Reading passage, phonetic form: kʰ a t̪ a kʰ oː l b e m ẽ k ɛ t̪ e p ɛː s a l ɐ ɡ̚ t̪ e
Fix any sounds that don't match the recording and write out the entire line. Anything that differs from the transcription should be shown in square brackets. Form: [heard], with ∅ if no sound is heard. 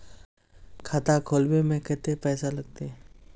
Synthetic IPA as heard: kʰ a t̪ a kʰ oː l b e m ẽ k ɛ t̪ e p ɛː s a l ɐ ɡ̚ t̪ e